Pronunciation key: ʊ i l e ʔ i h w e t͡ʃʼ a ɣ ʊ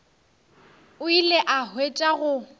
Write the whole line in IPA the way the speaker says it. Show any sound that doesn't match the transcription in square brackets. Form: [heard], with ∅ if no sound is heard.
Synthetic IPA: ʊ i l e ʔ [a] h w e t͡ʃʼ a ɣ ʊ